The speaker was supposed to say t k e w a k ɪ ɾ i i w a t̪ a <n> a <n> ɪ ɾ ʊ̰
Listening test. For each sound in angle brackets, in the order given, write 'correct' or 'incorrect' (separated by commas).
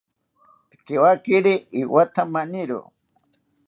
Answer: incorrect, correct